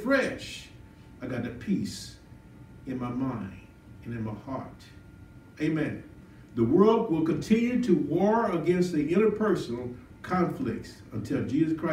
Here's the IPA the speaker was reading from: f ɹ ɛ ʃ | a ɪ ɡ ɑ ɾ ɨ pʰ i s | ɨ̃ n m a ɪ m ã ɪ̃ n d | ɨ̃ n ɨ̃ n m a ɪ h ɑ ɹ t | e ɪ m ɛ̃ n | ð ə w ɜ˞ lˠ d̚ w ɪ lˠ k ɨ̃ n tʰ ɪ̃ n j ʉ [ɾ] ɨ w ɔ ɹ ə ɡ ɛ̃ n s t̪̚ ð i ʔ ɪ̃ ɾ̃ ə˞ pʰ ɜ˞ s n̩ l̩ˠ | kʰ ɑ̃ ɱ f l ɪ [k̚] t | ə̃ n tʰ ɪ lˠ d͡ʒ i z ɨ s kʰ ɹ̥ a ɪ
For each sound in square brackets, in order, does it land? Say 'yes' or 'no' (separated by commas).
yes, yes